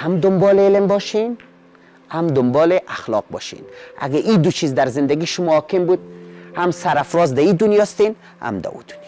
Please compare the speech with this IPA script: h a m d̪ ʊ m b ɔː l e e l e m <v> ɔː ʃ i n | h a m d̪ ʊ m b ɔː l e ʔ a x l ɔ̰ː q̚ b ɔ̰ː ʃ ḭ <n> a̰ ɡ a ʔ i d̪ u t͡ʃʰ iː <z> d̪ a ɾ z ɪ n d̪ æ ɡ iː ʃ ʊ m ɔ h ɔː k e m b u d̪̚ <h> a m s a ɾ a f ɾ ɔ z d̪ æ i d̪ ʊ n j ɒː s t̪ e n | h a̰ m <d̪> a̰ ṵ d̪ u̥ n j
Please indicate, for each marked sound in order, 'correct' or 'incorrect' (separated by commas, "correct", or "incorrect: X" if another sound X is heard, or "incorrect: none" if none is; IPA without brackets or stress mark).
incorrect: b, correct, correct, correct, correct